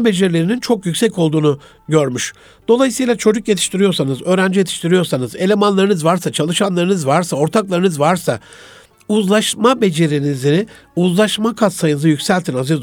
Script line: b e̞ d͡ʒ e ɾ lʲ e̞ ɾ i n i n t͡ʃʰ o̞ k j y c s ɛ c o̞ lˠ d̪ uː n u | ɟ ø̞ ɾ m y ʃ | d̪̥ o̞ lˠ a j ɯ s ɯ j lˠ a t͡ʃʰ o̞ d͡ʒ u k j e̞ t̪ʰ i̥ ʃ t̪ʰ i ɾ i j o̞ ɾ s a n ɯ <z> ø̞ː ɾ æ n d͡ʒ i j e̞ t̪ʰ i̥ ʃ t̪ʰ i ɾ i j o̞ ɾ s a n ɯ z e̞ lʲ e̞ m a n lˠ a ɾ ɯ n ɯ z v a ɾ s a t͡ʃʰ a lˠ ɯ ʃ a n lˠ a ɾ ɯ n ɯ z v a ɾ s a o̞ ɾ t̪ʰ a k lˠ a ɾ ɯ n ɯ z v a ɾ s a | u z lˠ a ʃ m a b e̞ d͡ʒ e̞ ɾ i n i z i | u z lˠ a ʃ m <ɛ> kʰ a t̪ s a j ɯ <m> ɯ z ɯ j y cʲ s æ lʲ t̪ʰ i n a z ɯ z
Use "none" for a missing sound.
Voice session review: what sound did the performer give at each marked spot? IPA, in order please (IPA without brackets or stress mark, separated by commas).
z, a, n